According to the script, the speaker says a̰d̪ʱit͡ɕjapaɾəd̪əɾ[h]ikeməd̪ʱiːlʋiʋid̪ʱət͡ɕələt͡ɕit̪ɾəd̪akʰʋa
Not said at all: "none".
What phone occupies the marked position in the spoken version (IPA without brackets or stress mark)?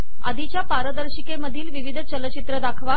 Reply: ɕ